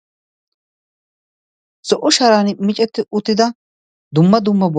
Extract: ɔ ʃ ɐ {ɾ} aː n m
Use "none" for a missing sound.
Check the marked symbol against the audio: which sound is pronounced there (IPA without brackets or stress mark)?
ɾ